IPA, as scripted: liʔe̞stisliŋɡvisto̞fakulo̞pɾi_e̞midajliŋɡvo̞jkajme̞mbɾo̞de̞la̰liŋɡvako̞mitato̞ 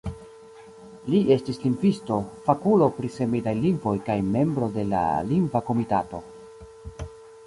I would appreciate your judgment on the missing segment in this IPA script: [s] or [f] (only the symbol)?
s